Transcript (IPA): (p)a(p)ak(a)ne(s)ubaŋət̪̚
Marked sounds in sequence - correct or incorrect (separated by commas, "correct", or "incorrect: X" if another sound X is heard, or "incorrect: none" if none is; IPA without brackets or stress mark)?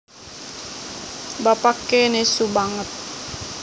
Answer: incorrect: b, correct, incorrect: e, correct